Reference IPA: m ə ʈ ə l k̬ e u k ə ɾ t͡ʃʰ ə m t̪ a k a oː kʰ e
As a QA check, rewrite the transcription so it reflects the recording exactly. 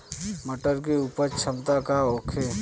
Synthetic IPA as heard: m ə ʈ ə ɾ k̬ e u p ə ɾ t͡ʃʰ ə m t̪ a k a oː kʰ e